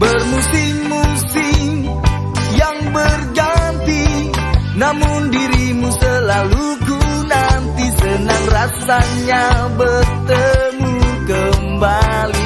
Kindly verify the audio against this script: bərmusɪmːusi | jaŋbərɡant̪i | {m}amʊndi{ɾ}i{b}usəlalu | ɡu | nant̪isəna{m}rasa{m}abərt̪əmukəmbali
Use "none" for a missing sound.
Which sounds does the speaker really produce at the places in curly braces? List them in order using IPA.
n, ɾ, m, ŋ, ɲ

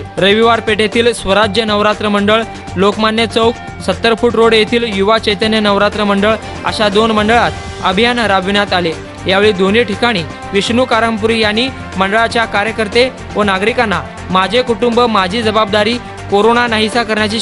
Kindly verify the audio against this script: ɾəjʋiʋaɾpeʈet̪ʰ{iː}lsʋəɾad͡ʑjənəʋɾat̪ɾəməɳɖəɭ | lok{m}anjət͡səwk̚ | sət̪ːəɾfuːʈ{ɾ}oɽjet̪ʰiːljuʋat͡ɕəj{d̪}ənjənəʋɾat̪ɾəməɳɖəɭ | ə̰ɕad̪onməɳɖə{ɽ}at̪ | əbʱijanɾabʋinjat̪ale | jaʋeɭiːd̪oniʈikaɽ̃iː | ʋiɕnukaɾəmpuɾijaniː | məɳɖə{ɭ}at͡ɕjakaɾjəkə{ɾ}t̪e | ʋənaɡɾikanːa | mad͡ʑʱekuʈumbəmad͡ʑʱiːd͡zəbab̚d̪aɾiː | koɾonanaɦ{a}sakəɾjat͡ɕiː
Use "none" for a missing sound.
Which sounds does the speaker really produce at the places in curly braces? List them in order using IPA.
iː, m, ɾ, t̪, ɭ, ɭ, ɾ, i

